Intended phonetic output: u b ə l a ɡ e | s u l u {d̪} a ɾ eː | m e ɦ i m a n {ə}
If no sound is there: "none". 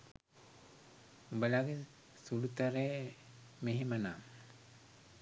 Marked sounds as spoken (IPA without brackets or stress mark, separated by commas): t̪, a